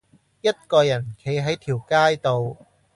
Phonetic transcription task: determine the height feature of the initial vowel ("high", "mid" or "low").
low